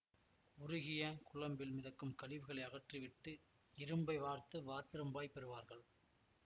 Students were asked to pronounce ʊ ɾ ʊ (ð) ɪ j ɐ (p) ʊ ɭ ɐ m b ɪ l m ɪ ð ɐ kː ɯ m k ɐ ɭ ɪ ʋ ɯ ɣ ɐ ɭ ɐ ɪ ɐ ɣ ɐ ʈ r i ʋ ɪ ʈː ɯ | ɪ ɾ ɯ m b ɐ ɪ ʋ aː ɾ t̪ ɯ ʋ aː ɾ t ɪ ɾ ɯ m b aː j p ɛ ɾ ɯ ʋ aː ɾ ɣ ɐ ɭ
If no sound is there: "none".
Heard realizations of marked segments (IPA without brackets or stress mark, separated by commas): ɣ, k